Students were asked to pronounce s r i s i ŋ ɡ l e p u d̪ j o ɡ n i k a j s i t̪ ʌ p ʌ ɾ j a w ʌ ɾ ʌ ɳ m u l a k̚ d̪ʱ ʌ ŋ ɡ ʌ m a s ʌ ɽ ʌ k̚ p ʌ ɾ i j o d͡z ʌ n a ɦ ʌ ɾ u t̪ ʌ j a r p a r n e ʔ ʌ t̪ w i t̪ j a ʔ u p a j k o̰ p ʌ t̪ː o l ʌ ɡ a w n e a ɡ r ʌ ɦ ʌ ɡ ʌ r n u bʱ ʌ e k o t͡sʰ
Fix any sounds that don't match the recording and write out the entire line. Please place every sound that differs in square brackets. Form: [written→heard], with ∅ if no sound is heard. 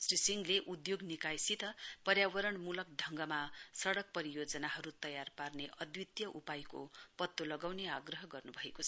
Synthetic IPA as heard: s r i s i ŋ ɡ l e [p→ʔ] u d̪ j o ɡ n i k a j s i t̪ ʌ p ʌ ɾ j a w ʌ ɾ ʌ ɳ m u l [a→ʌ] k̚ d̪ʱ ʌ ŋ ɡ ʌ m a s ʌ ɽ ʌ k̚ p ʌ ɾ i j o d͡z ʌ n a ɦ ʌ ɾ u t̪ ʌ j a r p a r n e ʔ ʌ [t̪→d̪] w i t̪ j [a→ʌ] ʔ u p a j k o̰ p ʌ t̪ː o l ʌ ɡ a w n e a ɡ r ʌ ɦ ʌ ɡ ʌ r n u bʱ ʌ e k o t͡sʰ